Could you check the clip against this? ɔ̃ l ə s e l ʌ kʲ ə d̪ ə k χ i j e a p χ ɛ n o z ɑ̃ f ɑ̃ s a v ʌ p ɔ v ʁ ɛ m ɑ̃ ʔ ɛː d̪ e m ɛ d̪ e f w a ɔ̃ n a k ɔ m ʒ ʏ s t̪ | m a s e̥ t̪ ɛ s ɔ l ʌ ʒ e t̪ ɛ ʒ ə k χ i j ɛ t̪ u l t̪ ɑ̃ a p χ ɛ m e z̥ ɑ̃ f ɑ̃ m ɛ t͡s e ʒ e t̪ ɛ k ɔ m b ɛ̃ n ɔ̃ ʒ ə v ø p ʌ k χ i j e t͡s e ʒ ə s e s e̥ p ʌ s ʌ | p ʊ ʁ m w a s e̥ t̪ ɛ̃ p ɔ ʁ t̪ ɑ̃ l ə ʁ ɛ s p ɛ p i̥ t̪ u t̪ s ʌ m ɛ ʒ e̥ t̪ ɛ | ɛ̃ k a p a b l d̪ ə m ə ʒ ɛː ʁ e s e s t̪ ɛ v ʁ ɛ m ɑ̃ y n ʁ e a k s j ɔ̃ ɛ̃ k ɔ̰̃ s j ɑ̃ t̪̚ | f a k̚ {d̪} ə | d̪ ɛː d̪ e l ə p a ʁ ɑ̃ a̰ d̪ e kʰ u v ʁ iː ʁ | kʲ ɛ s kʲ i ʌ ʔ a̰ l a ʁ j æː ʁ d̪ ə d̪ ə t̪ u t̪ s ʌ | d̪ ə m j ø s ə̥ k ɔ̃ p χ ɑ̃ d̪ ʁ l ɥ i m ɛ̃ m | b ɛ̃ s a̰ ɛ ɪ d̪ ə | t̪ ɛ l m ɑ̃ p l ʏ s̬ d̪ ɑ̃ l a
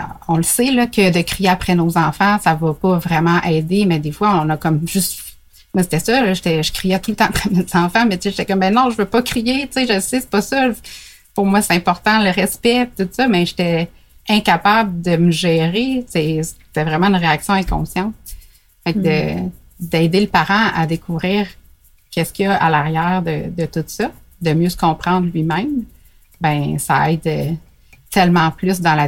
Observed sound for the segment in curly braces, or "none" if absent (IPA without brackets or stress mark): d̪